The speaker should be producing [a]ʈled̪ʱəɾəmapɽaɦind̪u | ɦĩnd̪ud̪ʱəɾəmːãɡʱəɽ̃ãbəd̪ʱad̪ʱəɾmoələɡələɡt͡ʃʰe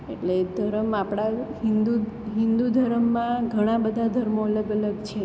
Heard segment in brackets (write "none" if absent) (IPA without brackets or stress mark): e